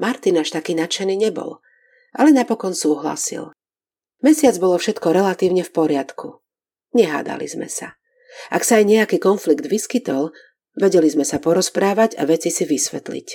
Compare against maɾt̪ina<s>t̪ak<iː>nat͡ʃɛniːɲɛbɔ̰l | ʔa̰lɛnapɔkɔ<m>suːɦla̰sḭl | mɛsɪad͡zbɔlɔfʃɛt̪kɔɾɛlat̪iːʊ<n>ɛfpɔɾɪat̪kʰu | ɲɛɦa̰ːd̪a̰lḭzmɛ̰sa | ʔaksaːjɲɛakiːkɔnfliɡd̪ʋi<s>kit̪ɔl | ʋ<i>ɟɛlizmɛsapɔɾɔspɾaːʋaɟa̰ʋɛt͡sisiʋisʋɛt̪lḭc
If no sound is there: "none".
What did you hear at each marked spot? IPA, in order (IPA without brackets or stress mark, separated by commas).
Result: ʃ, iː, n, ɲ, s, ɛ